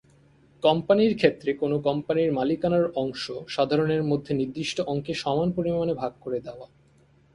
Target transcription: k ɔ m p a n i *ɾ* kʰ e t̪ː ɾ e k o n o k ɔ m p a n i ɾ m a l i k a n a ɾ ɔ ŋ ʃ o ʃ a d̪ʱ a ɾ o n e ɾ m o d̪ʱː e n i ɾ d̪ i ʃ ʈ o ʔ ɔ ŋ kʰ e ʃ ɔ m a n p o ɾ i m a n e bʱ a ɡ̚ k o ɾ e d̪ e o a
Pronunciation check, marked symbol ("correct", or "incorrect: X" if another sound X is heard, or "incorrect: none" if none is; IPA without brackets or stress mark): correct